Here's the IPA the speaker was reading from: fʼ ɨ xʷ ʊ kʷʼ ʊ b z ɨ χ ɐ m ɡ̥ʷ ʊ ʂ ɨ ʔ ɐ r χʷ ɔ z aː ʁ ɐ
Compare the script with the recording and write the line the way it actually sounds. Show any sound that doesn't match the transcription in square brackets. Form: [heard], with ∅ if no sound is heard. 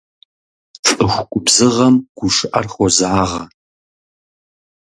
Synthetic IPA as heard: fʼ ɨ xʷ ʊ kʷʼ ʊ b z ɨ [ʁ] ɐ m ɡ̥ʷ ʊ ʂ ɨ ʔ ɐ r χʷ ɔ z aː ʁ ɐ